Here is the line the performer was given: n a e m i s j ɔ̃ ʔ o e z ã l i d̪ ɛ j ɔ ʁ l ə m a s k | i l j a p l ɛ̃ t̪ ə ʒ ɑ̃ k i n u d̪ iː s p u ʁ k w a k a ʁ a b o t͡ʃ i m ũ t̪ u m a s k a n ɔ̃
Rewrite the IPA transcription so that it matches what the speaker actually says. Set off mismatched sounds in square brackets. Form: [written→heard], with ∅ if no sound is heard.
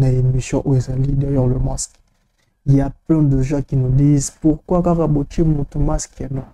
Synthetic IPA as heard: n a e m i s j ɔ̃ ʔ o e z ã l i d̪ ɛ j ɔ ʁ l ə m a s k | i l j a p l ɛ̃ [t̪→d̪] ə ʒ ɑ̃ k i n u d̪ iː [s→z] p u ʁ k w a k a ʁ a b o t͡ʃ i m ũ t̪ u m a s k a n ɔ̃

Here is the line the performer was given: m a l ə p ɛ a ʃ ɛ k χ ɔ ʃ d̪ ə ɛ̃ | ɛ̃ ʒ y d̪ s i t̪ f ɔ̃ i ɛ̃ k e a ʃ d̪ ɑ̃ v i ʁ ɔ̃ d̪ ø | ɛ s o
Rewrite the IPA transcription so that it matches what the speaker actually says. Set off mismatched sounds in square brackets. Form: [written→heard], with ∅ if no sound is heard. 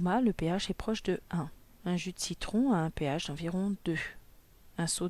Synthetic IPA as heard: m a l ə p [ɛ→e] a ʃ ɛ [k→p] χ ɔ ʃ d̪ ə ɛ̃ | ɛ̃ ʒ y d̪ s i t̪ [f→χ] ɔ̃ [i→a] ɛ̃ [k→p] e a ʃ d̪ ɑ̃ v i ʁ ɔ̃ d̪ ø | [ɛ→ɛ̃] s o

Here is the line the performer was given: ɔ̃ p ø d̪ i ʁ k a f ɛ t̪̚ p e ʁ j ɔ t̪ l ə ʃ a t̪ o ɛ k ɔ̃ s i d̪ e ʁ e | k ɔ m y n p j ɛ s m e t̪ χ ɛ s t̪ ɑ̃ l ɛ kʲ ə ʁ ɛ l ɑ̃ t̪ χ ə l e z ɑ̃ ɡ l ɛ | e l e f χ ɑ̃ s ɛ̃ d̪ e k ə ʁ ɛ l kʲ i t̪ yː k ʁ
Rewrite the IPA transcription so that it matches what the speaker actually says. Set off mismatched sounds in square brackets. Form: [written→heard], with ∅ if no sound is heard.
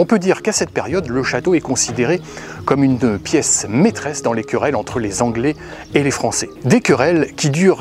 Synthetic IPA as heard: ɔ̃ p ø d̪ i ʁ k a [f→s] ɛ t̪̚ p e ʁ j ɔ [t̪→d̪] l ə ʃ a t̪ o ɛ k ɔ̃ s i d̪ e ʁ e | k ɔ m y n p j ɛ s m e t̪ χ ɛ s [t̪→d̪] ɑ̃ l [ɛ→e] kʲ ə ʁ ɛ l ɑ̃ t̪ χ ə l e z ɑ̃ ɡ l ɛ | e l e f χ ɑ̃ s [ɛ̃→ɛ] d̪ e k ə ʁ ɛ l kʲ i [t̪→d̪] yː [k→∅] ʁ

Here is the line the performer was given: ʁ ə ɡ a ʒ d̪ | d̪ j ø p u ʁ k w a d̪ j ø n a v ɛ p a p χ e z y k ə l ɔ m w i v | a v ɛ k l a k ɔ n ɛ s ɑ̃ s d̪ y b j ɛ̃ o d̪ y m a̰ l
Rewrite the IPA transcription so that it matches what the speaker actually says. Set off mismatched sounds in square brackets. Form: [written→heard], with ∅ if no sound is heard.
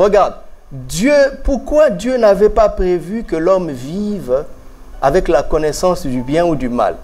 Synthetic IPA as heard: ʁ ə ɡ a [ʒ→ʁ] d̪ | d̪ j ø p u ʁ k w a d̪ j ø n a v ɛ p a p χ e [z→v] y k ə l ɔ m [w→v] i v | a v ɛ k l a k ɔ n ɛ s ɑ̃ s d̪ y b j ɛ̃ [o→u] d̪ y m a̰ l

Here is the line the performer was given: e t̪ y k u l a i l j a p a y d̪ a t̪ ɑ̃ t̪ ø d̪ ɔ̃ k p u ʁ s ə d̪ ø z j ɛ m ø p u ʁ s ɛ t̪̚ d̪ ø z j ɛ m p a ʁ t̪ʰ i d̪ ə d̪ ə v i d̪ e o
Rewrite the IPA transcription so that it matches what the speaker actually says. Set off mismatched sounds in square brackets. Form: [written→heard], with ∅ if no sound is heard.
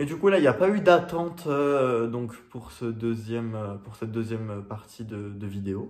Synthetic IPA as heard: e [t̪→d̪] y k u l a i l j a p a y d̪ a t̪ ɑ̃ t̪ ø d̪ ɔ̃ k p u ʁ s ə d̪ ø z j ɛ m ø p u ʁ s ɛ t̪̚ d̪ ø z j ɛ m p a ʁ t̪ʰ i d̪ ə d̪ ə v i d̪ e o

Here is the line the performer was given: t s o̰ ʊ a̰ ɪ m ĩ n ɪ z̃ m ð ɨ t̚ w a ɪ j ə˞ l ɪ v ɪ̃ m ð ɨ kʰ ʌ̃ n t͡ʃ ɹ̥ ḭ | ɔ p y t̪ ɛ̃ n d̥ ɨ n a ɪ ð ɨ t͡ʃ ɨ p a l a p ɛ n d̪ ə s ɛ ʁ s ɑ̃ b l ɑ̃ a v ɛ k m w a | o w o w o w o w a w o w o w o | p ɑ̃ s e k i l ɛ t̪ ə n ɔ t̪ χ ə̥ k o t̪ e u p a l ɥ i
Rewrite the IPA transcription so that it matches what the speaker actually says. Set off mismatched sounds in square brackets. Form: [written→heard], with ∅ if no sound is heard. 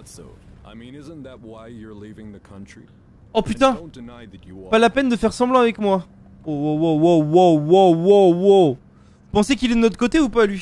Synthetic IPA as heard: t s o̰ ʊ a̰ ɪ m ĩ n ɪ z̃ [m→n] ð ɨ t̚ w a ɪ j ə˞ l [ɪ→i] v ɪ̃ [m→ŋ] ð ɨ kʰ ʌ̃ n t͡ʃ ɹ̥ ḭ | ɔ p y t̪ ɛ̃ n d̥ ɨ n a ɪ ð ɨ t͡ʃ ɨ p a l a p ɛ n d̪ ə [s→f] ɛ ʁ s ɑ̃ b l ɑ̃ a v ɛ k m w a | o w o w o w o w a w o w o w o | p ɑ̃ s e k i l ɛ [t̪→d̪] ə n ɔ t̪ χ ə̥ k o t̪ e u p a l ɥ i

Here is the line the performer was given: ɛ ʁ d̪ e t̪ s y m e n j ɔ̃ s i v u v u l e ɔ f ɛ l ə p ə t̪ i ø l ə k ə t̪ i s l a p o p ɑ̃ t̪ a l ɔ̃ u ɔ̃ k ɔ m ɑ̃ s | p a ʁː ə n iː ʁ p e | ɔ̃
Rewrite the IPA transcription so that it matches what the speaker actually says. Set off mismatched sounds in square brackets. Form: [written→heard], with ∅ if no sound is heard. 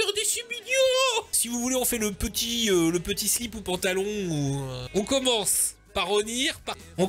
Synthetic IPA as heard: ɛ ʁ d̪ e [t̪→∅] s y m [e→i] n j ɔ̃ s i v u v u l e [ɔ→ɔ̃] f ɛ l ə p ə t̪ i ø l ə [k→p] ə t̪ i s l [a→i] p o p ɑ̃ t̪ a l ɔ̃ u ɔ̃ k ɔ m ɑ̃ s | p a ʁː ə n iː ʁ p [e→a] | ɔ̃

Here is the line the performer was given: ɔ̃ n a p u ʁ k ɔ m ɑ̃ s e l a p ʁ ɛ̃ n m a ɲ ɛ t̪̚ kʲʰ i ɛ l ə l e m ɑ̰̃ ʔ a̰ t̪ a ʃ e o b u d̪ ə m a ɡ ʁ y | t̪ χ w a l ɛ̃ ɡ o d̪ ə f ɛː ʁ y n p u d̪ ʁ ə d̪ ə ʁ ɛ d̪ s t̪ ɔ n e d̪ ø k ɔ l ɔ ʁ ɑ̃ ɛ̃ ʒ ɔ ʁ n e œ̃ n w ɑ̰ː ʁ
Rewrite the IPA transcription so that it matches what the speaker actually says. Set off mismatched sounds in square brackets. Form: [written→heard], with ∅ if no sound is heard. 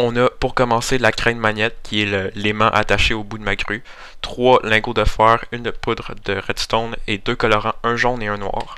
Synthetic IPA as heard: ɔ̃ n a p u ʁ k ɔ m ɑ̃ s e l a [p→k] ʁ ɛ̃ n m a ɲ ɛ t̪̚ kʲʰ i ɛ l ə l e m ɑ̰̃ ʔ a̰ t̪ a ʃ e o b u d̪ ə m a ɡ ʁ y | t̪ χ w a l ɛ̃ ɡ o d̪ ə f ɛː ʁ y n p u d̪ ʁ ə d̪ ə ʁ ɛ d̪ s t̪ ɔ n e d̪ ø k ɔ l ɔ ʁ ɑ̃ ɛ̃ ʒ ɔ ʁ n e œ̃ n w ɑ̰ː ʁ

